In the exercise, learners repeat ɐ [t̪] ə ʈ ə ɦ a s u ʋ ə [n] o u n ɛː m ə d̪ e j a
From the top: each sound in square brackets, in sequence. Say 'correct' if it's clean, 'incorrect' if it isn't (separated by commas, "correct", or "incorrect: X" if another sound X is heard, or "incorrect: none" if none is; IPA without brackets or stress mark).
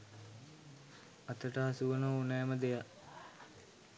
correct, correct